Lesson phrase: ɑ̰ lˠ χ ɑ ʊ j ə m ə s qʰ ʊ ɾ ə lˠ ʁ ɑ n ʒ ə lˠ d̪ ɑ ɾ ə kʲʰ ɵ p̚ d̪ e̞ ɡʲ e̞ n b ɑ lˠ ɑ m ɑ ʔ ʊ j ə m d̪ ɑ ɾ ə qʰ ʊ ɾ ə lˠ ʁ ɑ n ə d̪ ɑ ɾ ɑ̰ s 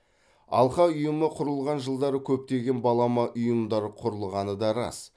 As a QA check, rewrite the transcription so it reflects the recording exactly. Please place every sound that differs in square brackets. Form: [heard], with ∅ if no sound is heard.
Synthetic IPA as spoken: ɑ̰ lˠ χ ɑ ʊ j ə m ə [∅] qʰ ʊ ɾ ə lˠ ʁ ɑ n ʒ ə lˠ d̪ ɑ ɾ ə kʲʰ ɵ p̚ [t̪] e̞ ɡʲ e̞ n b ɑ lˠ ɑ m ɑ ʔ ʊ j ə m d̪ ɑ ɾ ə qʰ ʊ ɾ ə lˠ ʁ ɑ n ə d̪ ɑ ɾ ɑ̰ s